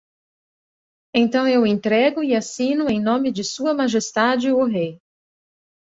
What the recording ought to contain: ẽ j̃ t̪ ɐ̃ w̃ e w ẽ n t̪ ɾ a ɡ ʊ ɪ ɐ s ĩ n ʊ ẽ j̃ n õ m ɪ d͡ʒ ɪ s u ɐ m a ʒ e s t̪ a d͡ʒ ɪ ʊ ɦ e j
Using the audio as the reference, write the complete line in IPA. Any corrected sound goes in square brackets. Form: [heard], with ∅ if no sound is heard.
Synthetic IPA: ẽ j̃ t̪ ɐ̃ w̃ e w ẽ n t̪ ɾ [ɛ] ɡ ʊ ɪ [a] s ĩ n ʊ ẽ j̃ n õ m ɪ d͡ʒ ɪ s u ɐ m a ʒ e s t̪ a d͡ʒ ɪ ʊ ɦ e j